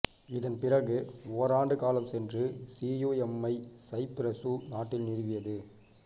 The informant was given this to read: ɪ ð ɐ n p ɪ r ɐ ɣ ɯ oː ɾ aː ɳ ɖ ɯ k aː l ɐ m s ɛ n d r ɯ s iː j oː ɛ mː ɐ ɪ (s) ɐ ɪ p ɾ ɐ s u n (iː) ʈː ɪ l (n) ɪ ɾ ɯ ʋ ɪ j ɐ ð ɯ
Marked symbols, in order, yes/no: yes, no, yes

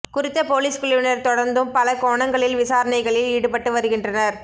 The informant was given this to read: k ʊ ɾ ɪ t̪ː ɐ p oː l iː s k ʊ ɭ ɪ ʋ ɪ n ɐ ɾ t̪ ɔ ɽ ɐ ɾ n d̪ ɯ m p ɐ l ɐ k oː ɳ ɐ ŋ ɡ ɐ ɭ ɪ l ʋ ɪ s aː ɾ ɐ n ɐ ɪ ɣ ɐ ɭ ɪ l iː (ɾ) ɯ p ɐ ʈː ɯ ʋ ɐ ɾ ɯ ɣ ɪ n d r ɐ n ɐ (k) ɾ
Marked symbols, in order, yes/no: no, no

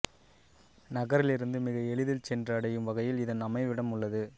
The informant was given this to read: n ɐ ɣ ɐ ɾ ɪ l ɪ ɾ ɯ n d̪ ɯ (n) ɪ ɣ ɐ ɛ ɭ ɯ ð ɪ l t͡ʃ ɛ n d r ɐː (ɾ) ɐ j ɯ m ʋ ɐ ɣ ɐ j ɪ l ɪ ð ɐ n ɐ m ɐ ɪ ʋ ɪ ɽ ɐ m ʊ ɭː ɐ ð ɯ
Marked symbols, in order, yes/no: no, no

